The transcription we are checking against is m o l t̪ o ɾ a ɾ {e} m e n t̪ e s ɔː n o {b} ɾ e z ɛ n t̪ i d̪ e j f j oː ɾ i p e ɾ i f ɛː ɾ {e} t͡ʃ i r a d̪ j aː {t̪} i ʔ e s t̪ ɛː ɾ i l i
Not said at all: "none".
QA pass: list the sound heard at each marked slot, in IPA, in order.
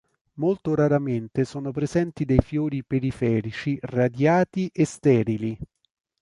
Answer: a, p, i, t̪

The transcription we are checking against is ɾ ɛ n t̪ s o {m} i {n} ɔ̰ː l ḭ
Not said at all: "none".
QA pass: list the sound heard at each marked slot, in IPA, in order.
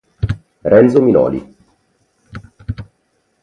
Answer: m, n

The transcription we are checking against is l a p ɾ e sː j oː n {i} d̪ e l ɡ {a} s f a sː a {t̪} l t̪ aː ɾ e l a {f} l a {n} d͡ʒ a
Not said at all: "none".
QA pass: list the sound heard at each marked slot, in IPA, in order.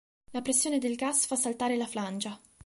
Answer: e, a, none, f, n

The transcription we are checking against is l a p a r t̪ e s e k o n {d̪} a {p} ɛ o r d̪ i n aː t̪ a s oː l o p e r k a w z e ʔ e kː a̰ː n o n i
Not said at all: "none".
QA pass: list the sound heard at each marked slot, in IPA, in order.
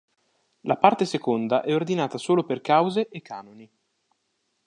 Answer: d̪, ʔ

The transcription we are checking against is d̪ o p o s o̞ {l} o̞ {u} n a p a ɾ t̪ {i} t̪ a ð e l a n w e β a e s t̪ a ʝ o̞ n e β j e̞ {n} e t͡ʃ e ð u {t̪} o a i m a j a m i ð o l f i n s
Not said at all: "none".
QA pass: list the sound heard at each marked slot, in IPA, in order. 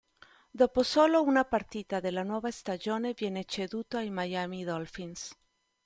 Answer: l, u, i, n, t̪

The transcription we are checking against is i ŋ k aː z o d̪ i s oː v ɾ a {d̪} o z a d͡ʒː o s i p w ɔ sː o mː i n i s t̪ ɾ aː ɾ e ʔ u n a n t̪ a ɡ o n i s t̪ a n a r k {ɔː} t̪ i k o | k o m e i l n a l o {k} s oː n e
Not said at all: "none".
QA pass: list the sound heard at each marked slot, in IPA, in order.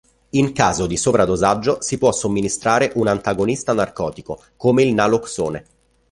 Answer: d̪, ɔː, k

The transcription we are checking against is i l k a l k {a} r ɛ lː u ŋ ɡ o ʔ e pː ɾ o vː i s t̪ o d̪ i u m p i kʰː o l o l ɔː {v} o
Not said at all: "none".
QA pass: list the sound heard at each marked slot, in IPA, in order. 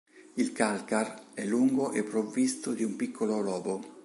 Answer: a, b

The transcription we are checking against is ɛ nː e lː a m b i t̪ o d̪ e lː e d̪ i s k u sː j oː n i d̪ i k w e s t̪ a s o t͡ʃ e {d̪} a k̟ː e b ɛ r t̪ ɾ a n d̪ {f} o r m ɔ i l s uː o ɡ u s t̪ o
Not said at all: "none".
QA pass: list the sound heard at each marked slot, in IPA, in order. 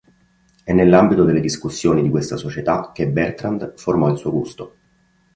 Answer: t̪, f

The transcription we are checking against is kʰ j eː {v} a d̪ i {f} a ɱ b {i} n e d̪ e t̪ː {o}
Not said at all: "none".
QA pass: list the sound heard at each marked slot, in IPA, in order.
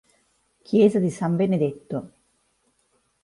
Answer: z, s, e, o

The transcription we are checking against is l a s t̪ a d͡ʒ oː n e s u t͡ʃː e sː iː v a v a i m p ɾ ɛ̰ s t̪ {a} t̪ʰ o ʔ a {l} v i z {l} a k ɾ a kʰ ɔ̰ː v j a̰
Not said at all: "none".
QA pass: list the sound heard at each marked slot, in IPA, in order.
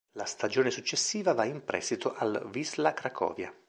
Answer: i, l, l

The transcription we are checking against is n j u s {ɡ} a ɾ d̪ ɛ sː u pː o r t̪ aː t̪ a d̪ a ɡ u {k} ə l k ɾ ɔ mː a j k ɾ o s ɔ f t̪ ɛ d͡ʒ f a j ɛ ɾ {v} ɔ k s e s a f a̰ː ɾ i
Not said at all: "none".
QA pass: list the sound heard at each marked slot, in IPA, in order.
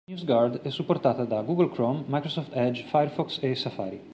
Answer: ɡ, ɡ, f

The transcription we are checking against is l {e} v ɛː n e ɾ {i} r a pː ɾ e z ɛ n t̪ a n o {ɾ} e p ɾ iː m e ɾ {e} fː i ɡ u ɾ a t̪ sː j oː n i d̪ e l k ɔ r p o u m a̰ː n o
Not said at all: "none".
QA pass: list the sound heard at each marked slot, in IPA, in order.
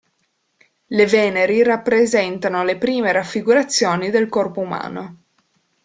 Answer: e, i, l, a

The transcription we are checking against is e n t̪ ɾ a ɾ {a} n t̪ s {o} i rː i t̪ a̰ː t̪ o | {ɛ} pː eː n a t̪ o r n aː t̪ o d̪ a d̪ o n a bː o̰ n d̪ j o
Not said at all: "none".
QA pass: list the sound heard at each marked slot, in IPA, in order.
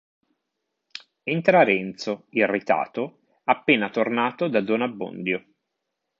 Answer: ɛ, o, a

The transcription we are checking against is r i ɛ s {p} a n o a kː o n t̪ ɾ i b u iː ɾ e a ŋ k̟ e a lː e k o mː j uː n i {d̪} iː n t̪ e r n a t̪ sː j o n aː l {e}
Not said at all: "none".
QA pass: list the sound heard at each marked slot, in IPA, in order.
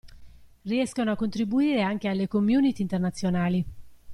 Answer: k, t̪, i

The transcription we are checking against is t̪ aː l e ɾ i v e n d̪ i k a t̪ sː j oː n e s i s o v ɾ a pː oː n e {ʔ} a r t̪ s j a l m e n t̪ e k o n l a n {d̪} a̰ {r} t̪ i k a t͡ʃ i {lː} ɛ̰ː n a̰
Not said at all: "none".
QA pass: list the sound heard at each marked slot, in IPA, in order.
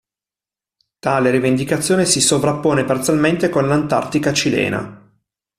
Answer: p, t̪, r, l

